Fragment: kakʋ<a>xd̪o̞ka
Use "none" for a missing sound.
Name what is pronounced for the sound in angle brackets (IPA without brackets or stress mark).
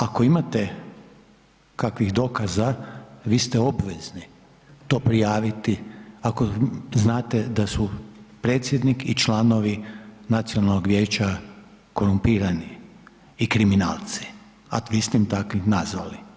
i